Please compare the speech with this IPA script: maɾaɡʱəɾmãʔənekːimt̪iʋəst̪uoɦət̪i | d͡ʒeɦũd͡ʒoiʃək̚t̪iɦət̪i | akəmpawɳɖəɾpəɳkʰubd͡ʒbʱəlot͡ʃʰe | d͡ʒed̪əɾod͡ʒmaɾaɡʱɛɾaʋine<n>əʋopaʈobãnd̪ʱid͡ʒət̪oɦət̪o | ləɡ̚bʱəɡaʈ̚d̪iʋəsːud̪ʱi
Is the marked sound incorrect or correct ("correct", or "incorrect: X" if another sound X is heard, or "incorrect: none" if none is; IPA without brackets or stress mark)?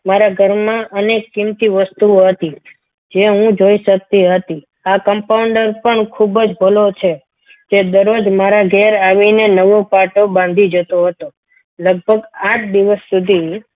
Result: correct